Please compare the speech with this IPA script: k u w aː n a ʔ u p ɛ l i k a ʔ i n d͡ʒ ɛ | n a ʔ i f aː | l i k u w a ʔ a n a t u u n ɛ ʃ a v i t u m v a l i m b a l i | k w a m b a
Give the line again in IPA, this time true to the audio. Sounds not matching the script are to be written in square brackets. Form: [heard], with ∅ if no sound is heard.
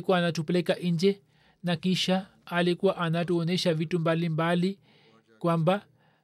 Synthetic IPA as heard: k u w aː n a [t] u p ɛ l [ɛ] k a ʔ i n d͡ʒ ɛ | n a [k] i [ʃ] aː | l i k u w a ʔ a n a t u [ɔ] n ɛ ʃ a v i t u m [b] a l i m b a l i | k w a m b a